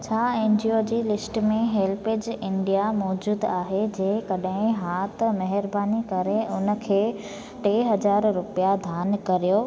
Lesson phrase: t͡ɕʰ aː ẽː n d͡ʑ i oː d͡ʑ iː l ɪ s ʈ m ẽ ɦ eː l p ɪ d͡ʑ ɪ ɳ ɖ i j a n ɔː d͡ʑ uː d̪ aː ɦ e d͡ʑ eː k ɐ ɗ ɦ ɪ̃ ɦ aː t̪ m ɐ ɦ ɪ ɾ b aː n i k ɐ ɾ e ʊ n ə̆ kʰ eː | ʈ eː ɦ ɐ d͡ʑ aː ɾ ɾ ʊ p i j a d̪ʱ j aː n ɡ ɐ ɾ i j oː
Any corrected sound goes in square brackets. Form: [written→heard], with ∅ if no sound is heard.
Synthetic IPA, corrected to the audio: t͡ɕʰ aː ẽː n d͡ʑ i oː d͡ʑ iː l ɪ s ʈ m ẽ ɦ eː l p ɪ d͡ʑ ɪ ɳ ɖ i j a [n→m] ɔː d͡ʑ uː d̪ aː ɦ e d͡ʑ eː k ɐ ɗ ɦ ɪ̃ ɦ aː t̪ m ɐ ɦ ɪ ɾ b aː n i k ɐ ɾ e ʊ n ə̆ kʰ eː | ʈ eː ɦ ɐ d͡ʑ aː ɾ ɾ ʊ p i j a d̪ʱ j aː n [ɡ→k] ɐ ɾ i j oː